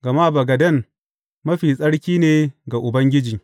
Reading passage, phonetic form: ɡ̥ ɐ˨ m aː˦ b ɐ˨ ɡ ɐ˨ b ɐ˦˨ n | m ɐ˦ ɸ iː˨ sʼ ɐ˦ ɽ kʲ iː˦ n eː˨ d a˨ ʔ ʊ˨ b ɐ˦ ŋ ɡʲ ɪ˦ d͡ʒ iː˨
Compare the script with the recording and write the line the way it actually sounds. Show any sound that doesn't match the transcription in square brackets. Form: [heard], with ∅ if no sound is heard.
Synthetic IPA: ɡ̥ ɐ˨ m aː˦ b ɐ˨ ɡ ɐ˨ [d] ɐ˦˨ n | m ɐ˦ ɸ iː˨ sʼ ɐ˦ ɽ kʲ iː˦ n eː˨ [ɡ] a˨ ʔ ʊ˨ b ɐ˦ ŋ ɡʲ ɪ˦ d͡ʒ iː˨